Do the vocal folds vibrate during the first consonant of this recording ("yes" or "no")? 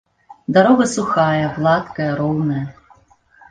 yes